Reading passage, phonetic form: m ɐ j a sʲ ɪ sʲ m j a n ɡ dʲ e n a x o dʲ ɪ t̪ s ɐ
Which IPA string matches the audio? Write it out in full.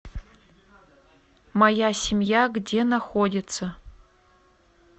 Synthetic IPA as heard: m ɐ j a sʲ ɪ m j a ɡ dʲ e n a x o dʲ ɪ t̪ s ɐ